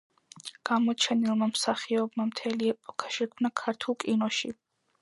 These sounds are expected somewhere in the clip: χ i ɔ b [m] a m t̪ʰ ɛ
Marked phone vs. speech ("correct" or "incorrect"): correct